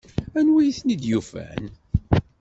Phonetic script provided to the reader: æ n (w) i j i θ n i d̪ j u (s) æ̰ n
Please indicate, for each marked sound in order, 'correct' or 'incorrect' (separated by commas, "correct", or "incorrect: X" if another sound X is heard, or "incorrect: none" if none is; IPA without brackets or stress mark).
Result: correct, incorrect: f